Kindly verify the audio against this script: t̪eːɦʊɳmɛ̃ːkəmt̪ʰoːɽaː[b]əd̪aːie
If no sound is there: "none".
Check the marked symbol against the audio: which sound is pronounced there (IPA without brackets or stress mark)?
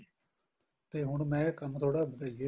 b